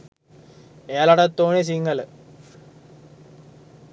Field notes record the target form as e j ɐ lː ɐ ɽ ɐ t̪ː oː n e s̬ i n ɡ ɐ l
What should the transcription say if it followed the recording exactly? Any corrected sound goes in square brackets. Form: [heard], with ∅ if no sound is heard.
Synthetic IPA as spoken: e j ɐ [l] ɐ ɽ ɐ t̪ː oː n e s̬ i [ŋ] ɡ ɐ l